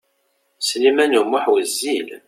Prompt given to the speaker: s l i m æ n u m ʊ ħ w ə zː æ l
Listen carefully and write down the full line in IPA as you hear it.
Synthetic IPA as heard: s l i m æ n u m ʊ ħ w ə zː i l